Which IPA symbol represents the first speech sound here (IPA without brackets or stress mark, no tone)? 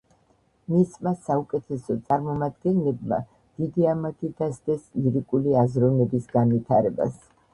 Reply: m